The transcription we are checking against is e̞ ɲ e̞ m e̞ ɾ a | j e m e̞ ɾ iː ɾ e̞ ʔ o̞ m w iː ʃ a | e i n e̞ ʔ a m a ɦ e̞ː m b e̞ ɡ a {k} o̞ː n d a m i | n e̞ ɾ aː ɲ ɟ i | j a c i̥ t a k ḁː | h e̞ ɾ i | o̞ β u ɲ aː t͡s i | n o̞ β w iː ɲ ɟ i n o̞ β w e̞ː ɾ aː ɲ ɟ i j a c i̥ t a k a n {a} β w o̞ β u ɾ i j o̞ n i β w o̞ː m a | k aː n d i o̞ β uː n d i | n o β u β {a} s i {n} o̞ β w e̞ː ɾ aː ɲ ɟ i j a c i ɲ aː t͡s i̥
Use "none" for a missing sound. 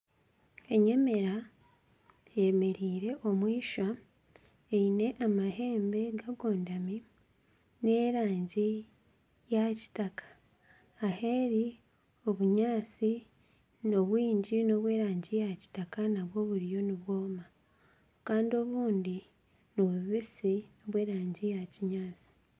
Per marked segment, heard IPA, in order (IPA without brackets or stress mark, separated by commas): ɡ, a, i, n